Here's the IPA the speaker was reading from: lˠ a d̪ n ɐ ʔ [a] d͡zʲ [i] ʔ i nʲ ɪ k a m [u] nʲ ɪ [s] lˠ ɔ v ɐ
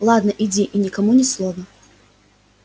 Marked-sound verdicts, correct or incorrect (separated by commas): incorrect, correct, correct, correct